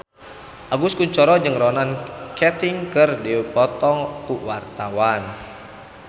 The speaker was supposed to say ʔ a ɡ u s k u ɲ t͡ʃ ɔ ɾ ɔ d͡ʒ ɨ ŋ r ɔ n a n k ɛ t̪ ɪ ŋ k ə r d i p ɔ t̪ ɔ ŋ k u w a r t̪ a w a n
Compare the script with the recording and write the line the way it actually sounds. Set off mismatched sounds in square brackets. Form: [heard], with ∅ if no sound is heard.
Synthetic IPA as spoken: ʔ a ɡ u s k u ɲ t͡ʃ ɔ ɾ ɔ d͡ʒ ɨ ŋ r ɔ n a n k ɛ t̪ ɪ ŋ k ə r d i p ɔ t̪ ɔ ŋ k u w a r t̪ a w a n